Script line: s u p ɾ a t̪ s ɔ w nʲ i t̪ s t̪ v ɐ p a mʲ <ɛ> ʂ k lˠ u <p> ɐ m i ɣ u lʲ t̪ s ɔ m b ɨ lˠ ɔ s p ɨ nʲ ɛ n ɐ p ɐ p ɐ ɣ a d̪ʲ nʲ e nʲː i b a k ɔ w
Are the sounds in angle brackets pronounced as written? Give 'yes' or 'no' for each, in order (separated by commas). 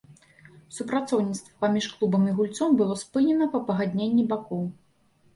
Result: no, no